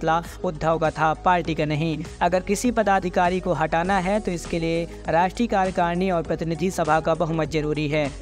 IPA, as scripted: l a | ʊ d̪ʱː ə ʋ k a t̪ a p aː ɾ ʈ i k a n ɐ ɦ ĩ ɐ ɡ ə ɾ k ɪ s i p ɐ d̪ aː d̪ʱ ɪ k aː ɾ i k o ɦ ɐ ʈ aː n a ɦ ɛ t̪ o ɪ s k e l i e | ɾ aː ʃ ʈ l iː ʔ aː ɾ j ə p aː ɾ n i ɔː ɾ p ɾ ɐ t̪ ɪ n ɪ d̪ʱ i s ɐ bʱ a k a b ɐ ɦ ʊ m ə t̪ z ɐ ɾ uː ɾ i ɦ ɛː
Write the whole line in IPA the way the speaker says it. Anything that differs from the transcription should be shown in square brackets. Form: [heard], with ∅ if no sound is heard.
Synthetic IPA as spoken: l a | ʊ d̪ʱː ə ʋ k a [t̪ʰ] a p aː ɾ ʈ i k a n ɐ ɦ ĩ ɐ ɡ ə ɾ k ɪ s i p ɐ d̪ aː d̪ʱ ɪ k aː ɾ i k o ɦ ɐ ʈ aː n a ɦ ɛ t̪ o ɪ s k e l i e | ɾ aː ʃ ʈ [ɾ] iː [k] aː ɾ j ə [k] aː ɾ n i ɔː ɾ p ɾ ɐ t̪ ɪ n ɪ d̪ʱ i s ɐ bʱ a k a b ɐ ɦ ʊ m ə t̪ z ɐ ɾ uː ɾ i ɦ ɛː